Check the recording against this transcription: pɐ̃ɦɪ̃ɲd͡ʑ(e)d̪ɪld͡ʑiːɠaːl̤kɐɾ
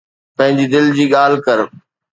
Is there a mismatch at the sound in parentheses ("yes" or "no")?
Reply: yes